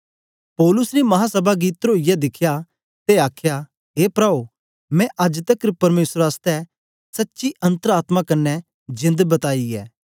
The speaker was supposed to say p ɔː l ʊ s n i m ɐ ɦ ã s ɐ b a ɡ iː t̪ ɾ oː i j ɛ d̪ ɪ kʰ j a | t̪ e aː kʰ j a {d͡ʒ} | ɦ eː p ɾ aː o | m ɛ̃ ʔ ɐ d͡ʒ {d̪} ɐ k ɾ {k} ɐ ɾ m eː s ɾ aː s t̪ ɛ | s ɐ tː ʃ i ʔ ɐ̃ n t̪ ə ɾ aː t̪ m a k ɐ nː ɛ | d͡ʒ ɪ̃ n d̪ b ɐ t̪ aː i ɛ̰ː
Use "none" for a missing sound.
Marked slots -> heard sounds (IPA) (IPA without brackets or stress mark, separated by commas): none, t̪, p